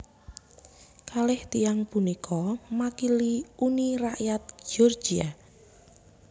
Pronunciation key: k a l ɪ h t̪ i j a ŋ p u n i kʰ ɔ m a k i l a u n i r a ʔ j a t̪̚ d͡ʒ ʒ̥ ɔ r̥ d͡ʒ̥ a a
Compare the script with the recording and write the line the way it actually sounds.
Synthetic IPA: k a l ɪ h t̪ i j a ŋ p u n i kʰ ɔ m a k i l i u n i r a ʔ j a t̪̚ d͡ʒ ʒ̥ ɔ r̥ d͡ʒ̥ i a